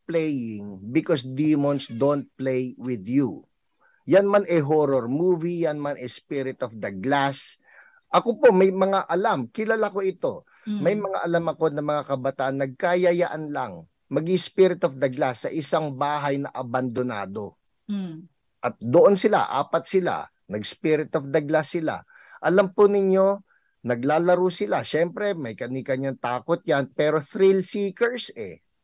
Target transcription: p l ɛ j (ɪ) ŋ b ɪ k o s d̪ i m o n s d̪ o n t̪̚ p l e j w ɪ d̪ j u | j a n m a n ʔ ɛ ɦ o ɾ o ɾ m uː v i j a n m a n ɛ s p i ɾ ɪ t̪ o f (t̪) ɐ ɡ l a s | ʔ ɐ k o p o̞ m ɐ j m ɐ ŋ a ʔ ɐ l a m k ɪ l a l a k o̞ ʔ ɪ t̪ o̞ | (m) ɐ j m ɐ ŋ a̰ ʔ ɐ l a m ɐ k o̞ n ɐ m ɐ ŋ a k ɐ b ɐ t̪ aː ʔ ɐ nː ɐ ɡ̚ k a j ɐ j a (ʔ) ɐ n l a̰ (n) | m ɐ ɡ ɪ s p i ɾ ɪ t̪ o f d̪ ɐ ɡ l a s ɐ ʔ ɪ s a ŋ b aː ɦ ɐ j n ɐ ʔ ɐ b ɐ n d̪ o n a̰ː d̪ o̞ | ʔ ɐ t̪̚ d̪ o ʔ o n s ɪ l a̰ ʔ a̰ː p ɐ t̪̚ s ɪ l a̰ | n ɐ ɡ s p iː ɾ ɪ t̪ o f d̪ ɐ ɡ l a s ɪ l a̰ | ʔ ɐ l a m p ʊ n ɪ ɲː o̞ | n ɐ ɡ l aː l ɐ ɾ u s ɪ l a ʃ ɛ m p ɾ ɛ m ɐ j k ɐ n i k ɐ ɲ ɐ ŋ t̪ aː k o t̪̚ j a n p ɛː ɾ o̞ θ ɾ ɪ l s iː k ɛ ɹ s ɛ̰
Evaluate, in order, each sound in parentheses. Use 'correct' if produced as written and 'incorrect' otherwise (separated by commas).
correct, incorrect, correct, correct, incorrect